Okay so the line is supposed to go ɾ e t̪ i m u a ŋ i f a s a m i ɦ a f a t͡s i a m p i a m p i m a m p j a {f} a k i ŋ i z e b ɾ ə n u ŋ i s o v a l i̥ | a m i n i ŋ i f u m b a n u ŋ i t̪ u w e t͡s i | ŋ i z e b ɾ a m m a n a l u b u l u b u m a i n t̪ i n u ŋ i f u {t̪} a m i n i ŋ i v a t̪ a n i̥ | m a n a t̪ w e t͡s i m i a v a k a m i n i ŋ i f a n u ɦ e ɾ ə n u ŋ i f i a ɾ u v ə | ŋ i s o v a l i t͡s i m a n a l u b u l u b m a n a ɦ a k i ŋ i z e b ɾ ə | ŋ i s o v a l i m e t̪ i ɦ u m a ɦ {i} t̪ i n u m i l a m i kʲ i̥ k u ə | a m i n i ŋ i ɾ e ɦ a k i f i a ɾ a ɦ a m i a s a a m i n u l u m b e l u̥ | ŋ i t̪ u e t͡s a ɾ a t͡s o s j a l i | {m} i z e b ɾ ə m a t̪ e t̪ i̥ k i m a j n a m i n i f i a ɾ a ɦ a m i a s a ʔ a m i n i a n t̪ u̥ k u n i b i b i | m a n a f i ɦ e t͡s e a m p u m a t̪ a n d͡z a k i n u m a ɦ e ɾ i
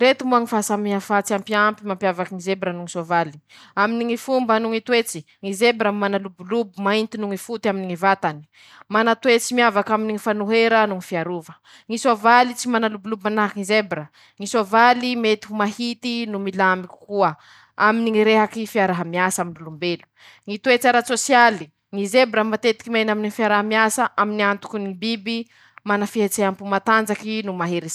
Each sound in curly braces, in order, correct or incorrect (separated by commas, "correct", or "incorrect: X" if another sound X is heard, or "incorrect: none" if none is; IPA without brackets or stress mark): incorrect: v, correct, correct, incorrect: ŋ